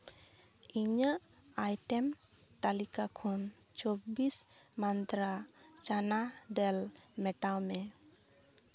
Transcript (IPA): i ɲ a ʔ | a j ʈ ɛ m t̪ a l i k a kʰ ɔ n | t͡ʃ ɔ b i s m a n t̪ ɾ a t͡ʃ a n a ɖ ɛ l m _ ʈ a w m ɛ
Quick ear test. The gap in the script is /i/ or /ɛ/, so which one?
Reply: ɛ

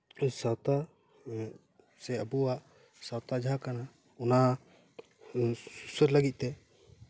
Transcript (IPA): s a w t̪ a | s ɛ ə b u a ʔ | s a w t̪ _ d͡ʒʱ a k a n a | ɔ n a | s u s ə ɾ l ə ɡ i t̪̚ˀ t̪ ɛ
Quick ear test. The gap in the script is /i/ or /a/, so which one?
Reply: a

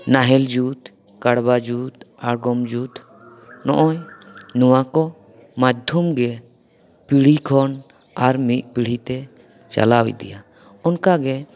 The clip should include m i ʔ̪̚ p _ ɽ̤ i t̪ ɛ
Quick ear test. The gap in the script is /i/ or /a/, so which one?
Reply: i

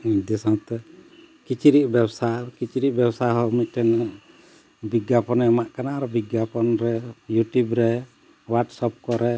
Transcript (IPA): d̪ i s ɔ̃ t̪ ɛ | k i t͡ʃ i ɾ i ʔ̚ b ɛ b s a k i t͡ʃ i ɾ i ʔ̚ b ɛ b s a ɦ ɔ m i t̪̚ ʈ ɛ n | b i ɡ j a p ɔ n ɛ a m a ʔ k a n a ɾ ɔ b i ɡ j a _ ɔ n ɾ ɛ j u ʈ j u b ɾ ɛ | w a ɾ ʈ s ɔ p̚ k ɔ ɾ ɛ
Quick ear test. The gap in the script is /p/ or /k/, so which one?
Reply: p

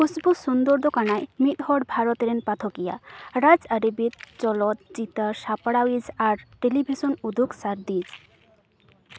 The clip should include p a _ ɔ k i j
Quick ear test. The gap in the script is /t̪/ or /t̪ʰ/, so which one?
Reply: t̪ʰ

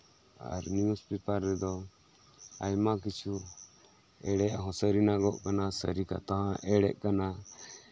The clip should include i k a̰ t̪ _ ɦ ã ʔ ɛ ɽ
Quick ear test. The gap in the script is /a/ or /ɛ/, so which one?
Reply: a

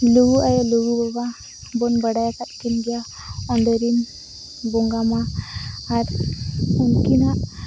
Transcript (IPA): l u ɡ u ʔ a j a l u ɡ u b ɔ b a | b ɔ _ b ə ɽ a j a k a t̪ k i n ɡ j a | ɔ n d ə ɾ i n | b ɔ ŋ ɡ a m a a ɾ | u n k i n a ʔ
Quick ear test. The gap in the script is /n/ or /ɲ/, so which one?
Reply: n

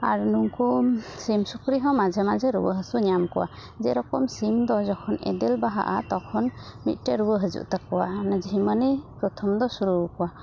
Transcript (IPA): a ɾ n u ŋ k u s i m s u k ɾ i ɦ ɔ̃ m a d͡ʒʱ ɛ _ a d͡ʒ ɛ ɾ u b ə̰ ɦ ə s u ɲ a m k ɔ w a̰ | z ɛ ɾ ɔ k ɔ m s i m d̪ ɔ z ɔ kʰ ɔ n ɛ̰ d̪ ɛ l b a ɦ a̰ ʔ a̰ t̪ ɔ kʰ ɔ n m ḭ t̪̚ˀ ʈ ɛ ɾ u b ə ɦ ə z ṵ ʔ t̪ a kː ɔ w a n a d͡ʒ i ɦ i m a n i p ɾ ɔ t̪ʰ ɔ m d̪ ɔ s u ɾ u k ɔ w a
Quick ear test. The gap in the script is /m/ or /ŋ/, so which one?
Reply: m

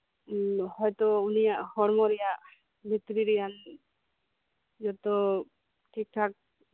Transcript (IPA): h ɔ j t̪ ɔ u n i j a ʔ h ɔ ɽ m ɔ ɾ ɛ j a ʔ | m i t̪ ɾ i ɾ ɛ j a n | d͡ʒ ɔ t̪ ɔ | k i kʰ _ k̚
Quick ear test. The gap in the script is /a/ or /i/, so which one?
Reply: a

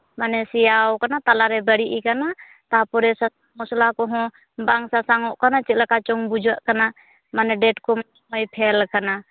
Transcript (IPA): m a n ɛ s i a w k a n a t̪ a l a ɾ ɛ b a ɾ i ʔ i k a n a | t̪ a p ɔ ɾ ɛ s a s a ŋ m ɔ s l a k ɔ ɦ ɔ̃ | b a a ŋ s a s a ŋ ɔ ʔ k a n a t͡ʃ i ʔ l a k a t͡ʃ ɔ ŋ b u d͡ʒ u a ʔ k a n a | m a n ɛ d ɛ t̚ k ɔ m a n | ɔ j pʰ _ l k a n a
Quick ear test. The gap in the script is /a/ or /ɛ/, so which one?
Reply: ɛ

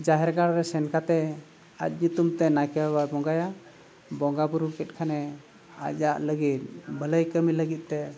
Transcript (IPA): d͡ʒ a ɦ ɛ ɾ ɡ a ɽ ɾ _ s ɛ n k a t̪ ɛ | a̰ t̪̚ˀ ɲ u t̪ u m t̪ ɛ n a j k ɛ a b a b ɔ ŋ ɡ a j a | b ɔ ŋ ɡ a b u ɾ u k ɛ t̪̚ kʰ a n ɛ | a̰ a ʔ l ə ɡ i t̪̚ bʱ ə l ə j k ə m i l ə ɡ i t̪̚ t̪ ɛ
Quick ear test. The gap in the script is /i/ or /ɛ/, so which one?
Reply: ɛ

